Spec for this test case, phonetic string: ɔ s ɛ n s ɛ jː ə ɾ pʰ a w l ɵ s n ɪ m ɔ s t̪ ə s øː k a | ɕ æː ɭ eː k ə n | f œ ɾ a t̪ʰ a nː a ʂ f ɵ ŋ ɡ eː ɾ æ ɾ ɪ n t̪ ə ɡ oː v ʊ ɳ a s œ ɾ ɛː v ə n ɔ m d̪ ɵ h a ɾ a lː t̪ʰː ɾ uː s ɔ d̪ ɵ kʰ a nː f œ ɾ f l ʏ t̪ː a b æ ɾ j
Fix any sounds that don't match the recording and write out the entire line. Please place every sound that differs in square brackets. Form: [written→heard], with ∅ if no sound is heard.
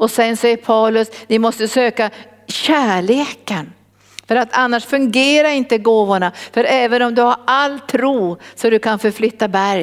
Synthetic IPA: ɔ s ɛ n s ɛ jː ə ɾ pʰ a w l ɵ s n ɪ m ɔ s t̪ ə s øː k a | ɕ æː ɭ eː k ə n | f œ ɾ a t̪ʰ a nː a ʂ f ɵ ŋ ɡ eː ɾ [æ→a] ɾ ɪ n t̪ ə ɡ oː v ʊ ɳ a [s→f] œ ɾ ɛː v ə n ɔ m d̪ ɵ h a ɾ a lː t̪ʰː ɾ uː s ɔ d̪ ɵ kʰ a [nː→n] f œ ɾ f l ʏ t̪ː a b æ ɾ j